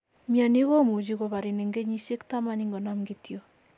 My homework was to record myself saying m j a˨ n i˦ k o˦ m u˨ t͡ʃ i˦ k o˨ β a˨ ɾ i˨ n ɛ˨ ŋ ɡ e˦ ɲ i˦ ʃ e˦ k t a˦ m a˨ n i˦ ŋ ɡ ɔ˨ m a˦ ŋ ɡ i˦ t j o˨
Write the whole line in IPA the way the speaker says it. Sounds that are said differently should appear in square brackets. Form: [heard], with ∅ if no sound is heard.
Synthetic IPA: m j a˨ n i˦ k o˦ m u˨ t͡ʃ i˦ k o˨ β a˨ ɾ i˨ n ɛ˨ ŋ ɡ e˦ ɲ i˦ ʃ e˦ k t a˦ m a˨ n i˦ ŋ ɡ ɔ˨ [n] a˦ [m] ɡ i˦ t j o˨